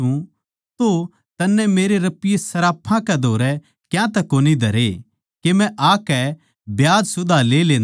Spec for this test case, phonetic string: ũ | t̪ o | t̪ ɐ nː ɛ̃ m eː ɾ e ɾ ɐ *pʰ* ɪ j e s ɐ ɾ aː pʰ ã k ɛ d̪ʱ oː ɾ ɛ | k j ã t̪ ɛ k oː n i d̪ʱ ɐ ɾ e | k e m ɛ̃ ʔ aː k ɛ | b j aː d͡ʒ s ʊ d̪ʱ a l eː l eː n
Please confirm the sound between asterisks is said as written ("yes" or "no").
no